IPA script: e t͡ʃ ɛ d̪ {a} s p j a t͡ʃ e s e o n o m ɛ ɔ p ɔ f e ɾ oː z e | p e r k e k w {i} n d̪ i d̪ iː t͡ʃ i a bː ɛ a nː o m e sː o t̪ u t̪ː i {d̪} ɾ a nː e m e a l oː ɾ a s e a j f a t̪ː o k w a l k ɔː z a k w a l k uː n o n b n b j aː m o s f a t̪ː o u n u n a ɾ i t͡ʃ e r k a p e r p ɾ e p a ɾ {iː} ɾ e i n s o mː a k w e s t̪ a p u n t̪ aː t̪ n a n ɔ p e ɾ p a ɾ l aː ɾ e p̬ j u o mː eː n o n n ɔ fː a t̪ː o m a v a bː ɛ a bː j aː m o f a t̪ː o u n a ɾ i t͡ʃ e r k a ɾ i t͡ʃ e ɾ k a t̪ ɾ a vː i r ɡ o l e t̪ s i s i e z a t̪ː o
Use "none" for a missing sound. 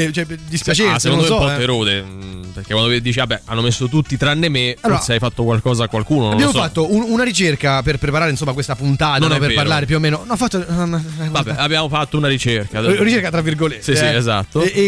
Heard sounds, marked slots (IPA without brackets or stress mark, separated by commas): i, a, t̪, aː